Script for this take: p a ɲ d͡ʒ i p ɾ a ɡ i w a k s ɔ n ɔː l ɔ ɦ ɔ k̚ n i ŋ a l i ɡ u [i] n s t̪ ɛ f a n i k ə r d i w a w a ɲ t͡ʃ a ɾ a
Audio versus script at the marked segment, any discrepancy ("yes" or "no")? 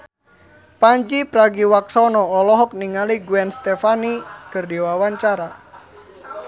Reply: yes